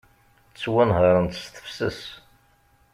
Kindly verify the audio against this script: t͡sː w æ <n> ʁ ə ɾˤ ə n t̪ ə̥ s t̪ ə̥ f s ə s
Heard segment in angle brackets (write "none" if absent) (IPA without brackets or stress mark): n